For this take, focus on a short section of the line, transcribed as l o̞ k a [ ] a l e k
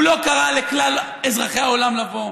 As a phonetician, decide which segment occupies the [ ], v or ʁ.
ʁ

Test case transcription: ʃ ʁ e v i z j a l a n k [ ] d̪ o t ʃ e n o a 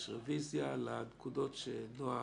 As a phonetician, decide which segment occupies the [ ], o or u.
u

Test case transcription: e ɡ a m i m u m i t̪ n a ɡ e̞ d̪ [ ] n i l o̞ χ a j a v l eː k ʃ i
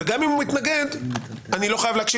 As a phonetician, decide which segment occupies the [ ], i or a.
a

